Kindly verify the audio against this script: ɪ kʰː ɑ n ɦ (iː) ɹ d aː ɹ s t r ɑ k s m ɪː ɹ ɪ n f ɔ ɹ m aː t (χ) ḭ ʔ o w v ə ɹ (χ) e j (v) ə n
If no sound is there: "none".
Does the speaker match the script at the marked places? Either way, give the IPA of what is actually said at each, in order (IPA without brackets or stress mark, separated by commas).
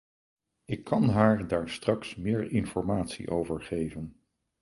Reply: aː, s, χ, v